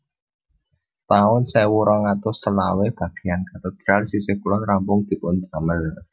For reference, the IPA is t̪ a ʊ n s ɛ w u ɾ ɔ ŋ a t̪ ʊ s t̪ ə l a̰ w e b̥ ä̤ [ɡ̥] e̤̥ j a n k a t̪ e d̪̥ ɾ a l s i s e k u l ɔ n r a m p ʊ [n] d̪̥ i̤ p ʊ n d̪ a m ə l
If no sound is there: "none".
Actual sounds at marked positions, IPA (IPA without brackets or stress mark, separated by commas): ɡ̥, ŋ